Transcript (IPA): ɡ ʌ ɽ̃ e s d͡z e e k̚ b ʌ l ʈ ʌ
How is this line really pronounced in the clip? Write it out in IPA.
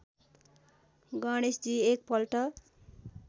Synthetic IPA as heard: ɡ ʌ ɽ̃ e s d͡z i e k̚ p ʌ l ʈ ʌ